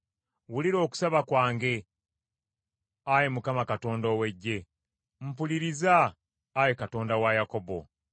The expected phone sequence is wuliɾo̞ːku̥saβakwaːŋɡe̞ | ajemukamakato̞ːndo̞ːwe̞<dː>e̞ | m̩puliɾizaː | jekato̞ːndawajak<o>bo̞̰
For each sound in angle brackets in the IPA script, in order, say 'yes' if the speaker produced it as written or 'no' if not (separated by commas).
no, yes